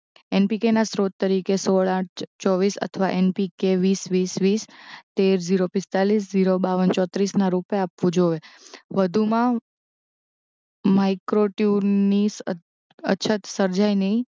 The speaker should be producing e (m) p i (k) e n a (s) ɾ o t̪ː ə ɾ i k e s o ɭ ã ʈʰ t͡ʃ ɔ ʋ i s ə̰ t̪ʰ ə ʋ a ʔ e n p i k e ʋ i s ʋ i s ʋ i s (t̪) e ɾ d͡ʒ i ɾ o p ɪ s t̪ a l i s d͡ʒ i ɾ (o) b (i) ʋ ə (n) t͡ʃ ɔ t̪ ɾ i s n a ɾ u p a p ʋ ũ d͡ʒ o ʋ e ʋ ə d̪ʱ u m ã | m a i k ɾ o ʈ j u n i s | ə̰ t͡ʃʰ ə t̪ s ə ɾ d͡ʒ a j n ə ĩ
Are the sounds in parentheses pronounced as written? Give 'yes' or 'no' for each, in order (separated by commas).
no, yes, yes, yes, yes, no, yes